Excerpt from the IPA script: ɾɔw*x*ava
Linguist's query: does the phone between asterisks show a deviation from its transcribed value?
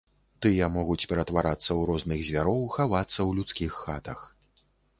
no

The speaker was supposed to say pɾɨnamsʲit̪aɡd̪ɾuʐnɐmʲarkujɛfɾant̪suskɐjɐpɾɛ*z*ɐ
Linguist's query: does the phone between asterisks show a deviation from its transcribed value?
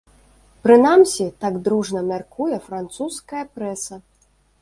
yes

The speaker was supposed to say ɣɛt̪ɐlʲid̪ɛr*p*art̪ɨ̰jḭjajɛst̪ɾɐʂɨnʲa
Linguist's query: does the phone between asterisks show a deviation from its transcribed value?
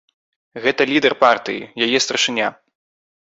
no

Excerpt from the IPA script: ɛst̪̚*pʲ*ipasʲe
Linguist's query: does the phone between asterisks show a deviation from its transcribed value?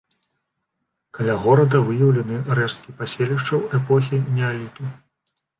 yes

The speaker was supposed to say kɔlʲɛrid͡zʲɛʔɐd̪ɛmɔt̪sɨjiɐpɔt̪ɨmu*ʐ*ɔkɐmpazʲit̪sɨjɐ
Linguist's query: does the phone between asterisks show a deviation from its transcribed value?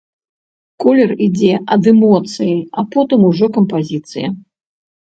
no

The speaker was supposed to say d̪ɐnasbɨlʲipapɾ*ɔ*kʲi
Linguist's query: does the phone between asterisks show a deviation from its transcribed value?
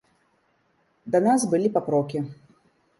no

